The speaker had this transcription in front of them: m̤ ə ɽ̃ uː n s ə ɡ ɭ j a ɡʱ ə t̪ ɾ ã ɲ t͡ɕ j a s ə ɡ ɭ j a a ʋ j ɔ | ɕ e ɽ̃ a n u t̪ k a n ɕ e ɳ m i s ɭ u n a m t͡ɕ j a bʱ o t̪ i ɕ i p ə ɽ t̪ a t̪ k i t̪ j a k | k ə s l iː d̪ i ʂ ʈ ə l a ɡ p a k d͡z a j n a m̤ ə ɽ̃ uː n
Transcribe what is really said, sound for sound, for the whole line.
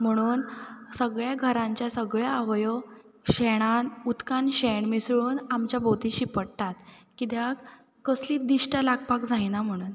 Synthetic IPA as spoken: m̤ ə ɽ̃ uː n s ə ɡ ɭ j a ɡʱ ə ɾ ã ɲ t͡ɕ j a s ə ɡ ɭ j a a ʋ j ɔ | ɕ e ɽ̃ a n u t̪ k a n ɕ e ɳ m i s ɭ uː n a m t͡ɕ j a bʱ o t̪ i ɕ i p ə ɽ t̪ a t̪ k i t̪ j a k | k ə s l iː d̪ i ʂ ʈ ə l a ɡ p a k d͡z a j n a m̤ ə ɽ̃ uː n